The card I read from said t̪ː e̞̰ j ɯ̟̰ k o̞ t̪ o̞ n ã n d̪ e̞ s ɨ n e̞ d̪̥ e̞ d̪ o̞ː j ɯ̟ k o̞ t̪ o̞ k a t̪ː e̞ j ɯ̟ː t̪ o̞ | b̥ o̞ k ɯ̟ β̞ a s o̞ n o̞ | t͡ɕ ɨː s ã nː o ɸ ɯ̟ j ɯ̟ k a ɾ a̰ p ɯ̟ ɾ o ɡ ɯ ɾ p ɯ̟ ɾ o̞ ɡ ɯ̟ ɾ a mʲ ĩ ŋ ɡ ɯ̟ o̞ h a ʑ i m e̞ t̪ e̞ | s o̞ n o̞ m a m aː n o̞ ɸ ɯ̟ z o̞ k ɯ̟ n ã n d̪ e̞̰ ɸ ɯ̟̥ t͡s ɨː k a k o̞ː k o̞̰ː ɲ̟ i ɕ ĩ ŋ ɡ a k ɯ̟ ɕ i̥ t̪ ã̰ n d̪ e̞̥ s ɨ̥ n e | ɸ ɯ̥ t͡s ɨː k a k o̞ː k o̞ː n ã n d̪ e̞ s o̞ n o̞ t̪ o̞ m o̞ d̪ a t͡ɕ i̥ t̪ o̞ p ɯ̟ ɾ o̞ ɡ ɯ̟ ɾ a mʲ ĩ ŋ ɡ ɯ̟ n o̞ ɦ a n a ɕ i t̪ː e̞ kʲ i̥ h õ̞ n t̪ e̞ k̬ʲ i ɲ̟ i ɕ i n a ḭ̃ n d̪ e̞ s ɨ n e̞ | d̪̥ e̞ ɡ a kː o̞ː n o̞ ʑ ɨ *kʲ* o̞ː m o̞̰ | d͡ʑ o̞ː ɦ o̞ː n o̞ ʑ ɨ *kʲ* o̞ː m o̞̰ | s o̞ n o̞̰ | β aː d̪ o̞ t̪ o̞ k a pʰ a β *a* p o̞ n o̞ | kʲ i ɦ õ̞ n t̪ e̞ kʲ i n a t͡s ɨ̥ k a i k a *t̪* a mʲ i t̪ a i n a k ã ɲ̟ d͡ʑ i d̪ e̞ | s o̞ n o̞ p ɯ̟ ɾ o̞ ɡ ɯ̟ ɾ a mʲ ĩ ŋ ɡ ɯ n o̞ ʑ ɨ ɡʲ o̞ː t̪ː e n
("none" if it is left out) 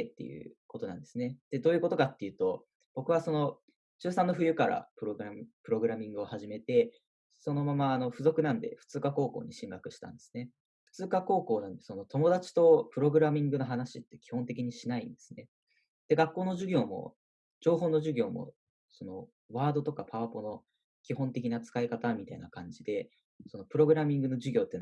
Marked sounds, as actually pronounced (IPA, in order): ɡʲ, ɡʲ, a, t̪

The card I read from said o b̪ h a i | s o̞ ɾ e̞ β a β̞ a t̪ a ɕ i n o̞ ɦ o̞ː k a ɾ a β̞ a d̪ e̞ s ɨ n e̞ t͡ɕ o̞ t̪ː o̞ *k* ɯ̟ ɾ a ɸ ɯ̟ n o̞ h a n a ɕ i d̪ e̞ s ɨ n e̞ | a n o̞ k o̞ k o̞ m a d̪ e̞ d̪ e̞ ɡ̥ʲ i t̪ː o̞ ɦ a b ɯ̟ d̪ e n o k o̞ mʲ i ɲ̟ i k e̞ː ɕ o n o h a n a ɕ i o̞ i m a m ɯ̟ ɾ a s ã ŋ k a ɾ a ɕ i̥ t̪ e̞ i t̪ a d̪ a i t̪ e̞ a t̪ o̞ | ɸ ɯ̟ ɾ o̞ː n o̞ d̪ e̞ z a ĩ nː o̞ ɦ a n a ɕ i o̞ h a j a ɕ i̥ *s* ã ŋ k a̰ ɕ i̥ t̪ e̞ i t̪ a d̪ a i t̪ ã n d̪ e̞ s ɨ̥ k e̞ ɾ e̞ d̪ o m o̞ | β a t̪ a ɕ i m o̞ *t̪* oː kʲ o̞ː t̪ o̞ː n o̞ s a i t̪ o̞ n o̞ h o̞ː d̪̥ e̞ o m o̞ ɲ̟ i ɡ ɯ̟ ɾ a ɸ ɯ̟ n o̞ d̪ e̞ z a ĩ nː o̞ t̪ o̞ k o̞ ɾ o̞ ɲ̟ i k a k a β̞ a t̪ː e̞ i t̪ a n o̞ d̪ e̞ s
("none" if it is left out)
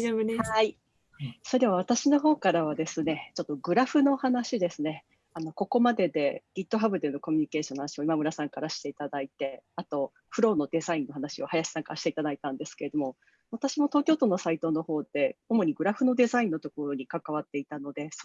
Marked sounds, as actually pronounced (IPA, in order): ɡ, s, t̪

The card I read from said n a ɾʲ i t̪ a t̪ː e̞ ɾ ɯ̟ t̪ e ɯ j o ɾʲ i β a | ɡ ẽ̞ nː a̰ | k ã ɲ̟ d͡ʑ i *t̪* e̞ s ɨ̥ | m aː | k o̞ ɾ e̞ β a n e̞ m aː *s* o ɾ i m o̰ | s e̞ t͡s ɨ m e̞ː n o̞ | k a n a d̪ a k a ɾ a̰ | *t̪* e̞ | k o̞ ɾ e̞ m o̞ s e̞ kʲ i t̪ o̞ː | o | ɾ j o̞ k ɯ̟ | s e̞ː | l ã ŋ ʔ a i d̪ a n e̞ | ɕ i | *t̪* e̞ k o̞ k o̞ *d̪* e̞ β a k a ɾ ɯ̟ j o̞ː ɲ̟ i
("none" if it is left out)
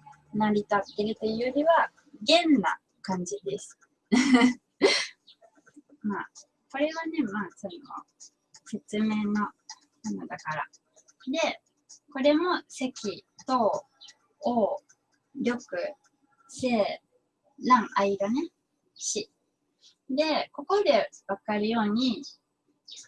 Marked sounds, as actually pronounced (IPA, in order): d̪, s, d̪, d̪, d̪

